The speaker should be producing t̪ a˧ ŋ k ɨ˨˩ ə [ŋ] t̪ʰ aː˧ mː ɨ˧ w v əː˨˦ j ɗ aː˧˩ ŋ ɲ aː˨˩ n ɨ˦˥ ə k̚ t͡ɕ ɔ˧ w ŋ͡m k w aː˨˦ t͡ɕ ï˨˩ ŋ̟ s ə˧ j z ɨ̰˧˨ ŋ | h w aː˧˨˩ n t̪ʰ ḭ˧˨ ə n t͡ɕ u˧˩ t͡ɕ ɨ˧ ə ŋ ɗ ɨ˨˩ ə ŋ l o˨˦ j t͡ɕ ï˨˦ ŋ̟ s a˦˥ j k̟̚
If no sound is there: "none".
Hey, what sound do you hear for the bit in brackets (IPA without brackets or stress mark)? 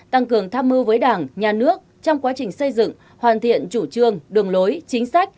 ŋ